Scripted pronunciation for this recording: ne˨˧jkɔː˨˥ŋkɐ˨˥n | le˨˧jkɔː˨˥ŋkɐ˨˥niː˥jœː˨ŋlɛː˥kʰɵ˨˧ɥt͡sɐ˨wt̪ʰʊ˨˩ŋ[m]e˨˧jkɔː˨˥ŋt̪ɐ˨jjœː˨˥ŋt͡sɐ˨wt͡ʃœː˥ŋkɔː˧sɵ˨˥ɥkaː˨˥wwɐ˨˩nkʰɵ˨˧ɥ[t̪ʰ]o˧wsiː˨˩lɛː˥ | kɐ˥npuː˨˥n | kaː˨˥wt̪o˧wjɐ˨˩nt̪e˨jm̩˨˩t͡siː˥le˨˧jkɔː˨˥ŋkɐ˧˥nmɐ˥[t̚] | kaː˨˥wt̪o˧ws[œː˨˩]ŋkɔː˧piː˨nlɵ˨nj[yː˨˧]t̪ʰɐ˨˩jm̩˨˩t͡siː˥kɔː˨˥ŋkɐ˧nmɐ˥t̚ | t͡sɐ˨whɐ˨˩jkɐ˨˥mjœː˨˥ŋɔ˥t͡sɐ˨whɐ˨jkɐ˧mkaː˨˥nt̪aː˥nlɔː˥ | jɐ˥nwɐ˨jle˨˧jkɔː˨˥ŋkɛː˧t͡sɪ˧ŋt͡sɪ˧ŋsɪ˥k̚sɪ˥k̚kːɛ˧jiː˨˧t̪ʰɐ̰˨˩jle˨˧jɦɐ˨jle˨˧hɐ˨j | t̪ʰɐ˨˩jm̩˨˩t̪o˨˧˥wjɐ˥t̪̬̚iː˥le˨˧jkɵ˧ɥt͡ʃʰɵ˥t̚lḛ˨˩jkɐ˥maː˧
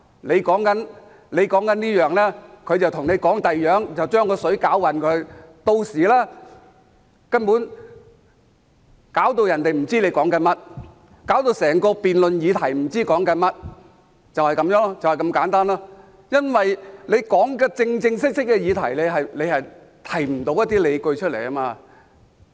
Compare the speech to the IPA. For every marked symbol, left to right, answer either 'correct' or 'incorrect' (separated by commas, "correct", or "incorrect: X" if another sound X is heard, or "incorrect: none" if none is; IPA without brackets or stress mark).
incorrect: n, incorrect: t̪, correct, incorrect: ɛː˨˩, incorrect: iː˨˧